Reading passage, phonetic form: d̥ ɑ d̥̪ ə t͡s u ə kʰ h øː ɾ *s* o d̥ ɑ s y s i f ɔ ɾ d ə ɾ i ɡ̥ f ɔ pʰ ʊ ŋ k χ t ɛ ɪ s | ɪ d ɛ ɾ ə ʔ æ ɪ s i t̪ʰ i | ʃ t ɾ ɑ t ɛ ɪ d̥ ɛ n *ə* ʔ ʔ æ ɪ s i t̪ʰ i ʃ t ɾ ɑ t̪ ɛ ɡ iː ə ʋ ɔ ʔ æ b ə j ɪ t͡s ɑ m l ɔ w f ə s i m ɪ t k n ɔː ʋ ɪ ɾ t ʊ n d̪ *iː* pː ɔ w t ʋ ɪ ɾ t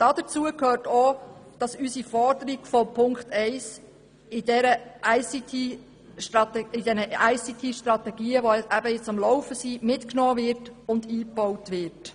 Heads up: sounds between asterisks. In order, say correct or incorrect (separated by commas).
incorrect, correct, correct